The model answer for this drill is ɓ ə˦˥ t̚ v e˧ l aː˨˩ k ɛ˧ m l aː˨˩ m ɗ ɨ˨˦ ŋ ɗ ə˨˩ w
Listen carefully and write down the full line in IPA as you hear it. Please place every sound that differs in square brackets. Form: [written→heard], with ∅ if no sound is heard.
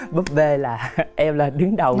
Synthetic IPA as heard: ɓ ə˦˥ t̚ v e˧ l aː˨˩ [k→ʔ] ɛ˧ m l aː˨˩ [m→∅] ɗ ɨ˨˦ ŋ ɗ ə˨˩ w

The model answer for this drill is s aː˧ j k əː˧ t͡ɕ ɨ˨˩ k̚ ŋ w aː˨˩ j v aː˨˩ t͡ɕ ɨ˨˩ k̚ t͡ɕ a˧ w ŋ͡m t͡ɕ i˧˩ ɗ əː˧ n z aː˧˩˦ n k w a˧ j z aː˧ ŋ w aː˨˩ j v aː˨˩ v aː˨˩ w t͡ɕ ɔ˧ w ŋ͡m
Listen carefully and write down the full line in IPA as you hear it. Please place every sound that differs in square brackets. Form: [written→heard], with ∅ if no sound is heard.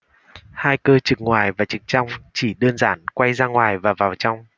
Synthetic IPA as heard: [s→h] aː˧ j k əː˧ t͡ɕ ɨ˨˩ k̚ ŋ w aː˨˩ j v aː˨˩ t͡ɕ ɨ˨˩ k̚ t͡ɕ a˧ w ŋ͡m t͡ɕ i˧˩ ɗ əː˧ n z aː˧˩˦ n k w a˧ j z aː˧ ŋ w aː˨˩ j v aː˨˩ v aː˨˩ w t͡ɕ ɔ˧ w ŋ͡m

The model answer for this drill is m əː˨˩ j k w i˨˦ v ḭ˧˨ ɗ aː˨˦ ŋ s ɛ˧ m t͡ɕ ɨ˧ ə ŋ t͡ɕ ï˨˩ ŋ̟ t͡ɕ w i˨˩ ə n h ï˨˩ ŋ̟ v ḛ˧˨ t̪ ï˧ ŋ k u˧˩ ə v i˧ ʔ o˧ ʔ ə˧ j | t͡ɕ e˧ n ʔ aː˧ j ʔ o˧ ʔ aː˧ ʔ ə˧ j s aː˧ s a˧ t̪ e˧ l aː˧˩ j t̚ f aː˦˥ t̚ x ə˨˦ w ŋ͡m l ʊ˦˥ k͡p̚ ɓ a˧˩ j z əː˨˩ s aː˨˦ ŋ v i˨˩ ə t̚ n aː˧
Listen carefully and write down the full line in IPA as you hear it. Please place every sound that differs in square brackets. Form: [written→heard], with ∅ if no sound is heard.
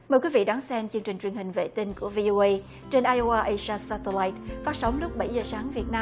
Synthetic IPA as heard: m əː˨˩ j k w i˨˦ v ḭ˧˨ ɗ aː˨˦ ŋ s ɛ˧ m t͡ɕ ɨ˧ ə ŋ t͡ɕ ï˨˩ ŋ̟ t͡ɕ w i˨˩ ə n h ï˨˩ ŋ̟ v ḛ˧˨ t̪ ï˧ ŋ k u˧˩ ə v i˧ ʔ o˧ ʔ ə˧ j | t͡ɕ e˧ n ʔ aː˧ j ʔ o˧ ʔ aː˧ ʔ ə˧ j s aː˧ s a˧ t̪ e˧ l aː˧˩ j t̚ f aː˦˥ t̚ [x→s] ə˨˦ w ŋ͡m l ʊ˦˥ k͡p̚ ɓ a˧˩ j z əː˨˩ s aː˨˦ ŋ v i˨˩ ə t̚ n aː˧

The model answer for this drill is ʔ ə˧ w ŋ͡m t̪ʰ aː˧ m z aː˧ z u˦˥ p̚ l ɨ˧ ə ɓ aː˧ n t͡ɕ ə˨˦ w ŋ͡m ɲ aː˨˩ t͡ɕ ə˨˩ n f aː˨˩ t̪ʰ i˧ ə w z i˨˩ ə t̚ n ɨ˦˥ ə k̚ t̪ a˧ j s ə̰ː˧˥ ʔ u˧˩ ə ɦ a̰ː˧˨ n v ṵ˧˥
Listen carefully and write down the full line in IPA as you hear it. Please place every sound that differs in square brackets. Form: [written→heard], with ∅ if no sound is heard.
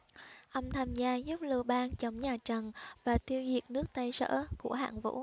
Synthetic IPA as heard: ʔ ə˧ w ŋ͡m t̪ʰ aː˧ m z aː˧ z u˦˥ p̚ l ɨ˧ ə ɓ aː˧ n t͡ɕ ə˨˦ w ŋ͡m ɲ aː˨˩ t͡ɕ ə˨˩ n [f→v] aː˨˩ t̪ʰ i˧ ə w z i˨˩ ə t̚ n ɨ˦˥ ə k̚ t̪ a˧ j s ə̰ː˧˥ [ʔ→k] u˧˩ ə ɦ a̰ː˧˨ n v ṵ˧˥

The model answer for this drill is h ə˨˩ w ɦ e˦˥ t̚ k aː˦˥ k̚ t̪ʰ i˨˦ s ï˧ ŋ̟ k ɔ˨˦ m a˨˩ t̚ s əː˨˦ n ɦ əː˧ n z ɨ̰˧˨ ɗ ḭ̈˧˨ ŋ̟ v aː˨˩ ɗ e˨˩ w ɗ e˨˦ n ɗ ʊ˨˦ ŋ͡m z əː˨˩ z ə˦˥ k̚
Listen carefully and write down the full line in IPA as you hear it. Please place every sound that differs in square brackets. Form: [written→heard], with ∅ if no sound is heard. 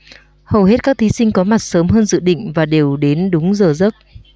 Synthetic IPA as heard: h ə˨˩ w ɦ e˦˥ t̚ k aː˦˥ k̚ t̪ʰ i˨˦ s ï˧ ŋ̟ k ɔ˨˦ m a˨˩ t̚ s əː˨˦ [n→m] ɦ əː˧ n z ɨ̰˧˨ ɗ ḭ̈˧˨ ŋ̟ v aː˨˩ ɗ e˨˩ w ɗ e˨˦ n ɗ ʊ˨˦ ŋ͡m z əː˨˩ z ə˦˥ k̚

